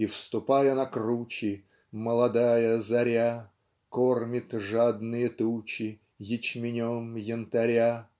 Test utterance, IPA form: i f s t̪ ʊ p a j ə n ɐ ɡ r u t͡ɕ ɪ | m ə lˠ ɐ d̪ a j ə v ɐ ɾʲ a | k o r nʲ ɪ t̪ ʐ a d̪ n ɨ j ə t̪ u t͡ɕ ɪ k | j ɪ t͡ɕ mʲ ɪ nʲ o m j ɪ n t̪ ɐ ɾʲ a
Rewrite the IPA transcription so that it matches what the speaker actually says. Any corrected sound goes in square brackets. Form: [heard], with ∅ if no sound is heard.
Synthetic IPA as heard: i f s t̪ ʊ p a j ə n ɐ [k] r u t͡ɕ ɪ | m ə lˠ ɐ d̪ a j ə [z] ɐ ɾʲ a | k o r [mʲ] ɪ t̪ ʐ a d̪ n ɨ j ə t̪ u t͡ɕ ɪ [∅] | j ɪ t͡ɕ mʲ ɪ nʲ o m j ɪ n t̪ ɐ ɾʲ a